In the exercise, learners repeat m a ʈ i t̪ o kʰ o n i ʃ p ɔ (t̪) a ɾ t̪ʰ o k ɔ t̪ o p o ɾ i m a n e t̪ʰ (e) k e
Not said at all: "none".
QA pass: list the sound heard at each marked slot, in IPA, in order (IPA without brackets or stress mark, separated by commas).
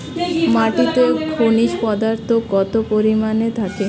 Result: d̪, a